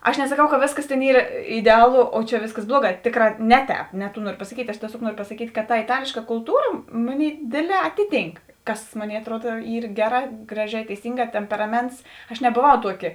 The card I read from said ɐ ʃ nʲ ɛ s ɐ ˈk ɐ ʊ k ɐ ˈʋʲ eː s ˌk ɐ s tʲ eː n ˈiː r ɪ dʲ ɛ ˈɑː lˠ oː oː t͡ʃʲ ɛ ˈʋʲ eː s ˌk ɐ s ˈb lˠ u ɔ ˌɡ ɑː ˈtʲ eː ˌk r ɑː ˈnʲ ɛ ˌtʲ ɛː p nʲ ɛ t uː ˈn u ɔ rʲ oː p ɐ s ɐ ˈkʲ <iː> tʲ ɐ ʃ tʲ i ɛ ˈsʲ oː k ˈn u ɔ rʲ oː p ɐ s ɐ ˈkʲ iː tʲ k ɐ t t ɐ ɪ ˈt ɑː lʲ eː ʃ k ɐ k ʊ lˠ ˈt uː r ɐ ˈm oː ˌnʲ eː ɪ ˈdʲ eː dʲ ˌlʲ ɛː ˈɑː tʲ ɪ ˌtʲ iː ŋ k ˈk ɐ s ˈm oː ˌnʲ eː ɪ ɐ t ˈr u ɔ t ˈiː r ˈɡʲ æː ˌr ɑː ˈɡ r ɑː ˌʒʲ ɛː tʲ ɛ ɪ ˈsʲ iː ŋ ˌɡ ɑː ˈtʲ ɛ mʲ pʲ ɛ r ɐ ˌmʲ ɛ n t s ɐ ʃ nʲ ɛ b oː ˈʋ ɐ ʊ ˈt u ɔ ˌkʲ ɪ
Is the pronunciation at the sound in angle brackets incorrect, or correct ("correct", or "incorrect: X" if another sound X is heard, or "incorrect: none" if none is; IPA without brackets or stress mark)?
correct